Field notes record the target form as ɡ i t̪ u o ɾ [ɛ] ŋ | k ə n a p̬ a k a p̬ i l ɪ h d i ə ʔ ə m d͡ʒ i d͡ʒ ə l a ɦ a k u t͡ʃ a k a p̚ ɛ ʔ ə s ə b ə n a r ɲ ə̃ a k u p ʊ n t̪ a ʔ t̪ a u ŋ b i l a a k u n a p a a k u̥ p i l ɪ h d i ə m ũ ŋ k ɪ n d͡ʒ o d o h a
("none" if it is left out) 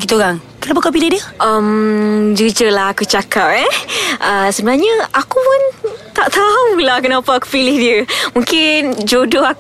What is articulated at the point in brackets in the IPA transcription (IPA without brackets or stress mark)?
a